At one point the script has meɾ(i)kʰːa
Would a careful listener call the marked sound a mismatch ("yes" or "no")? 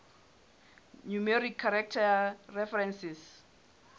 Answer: no